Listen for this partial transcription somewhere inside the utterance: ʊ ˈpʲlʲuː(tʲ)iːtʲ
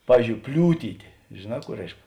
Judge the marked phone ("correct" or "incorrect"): correct